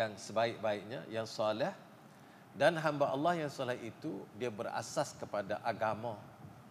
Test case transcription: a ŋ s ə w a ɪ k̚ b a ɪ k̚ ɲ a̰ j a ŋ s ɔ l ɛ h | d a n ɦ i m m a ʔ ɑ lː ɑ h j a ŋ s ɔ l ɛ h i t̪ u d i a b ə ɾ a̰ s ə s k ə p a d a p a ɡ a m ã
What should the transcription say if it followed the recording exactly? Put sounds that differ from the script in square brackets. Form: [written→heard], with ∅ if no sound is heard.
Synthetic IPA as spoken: a ŋ s ə [w→b] a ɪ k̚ b a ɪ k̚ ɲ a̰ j a ŋ s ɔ l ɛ h | d a n ɦ [i→a] m [m→b] a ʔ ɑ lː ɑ h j a ŋ s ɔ l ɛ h i t̪ u d i a b ə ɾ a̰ s [ə→a] s k ə p a d a [p→ʔ] a ɡ a m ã